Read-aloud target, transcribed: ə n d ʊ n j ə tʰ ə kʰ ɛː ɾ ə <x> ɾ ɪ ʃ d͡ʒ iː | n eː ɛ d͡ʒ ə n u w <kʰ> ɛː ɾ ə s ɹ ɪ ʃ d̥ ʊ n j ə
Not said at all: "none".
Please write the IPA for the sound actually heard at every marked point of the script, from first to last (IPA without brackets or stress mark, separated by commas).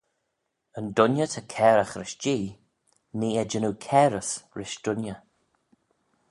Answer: x, kʰ